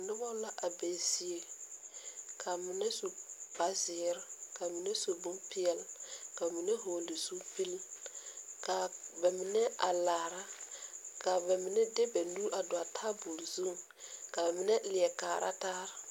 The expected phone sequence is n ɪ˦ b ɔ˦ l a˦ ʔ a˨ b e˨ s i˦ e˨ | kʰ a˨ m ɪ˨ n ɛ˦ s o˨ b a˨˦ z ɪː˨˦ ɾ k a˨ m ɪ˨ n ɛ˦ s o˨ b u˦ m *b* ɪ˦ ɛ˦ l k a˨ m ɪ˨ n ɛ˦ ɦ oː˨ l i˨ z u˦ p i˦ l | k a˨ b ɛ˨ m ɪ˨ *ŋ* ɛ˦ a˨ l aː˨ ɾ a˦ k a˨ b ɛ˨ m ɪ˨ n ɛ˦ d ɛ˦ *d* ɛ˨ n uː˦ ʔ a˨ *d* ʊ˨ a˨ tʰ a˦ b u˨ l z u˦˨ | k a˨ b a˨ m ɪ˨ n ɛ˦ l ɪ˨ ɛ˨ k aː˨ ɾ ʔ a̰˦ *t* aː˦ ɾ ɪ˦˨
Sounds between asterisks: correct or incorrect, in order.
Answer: incorrect, incorrect, incorrect, correct, correct

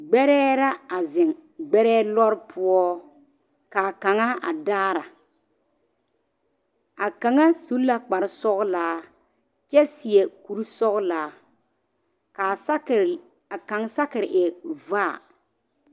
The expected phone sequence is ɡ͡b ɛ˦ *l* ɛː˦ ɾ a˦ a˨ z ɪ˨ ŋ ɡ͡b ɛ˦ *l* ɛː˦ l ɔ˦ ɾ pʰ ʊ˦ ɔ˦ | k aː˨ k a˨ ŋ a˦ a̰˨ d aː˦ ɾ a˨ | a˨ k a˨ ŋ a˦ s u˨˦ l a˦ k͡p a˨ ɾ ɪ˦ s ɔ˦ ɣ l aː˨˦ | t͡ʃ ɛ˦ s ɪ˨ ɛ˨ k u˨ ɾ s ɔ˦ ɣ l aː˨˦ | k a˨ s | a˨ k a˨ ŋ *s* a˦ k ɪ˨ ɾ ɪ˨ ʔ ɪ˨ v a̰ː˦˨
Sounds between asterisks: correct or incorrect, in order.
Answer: incorrect, incorrect, correct

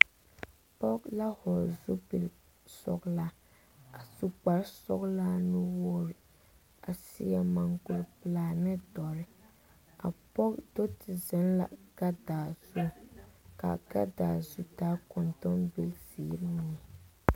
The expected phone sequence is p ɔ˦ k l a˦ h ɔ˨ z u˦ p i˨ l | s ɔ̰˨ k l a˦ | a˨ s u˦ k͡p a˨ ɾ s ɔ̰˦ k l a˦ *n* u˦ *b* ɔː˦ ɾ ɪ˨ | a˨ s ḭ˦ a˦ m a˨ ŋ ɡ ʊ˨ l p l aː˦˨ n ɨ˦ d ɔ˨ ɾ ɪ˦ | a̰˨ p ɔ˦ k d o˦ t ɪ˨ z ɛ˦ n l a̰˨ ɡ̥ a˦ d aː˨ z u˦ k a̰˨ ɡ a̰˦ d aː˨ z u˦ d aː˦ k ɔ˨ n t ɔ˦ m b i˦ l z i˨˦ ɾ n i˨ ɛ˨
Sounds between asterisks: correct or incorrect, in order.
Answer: correct, incorrect

